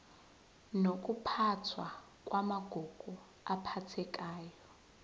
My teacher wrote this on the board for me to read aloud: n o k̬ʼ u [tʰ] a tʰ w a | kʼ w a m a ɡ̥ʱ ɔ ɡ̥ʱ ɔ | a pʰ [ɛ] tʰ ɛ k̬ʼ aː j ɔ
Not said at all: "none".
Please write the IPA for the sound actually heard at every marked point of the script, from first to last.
pʰ, a

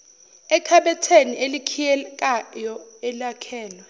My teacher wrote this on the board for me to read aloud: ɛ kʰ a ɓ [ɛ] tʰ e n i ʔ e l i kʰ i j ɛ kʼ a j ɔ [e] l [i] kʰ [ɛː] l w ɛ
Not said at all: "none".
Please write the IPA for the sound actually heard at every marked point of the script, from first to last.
ɛ, ɛ, a, ɛː

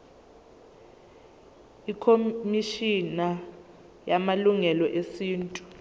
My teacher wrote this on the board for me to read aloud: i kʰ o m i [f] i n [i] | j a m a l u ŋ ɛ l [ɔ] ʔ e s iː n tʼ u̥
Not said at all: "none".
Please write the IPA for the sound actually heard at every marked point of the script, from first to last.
ʃ, a, ɔ

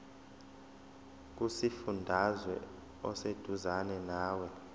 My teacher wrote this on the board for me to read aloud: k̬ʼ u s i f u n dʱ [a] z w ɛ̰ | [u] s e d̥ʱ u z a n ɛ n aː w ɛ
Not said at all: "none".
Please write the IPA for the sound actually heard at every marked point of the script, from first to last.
a, ɔ

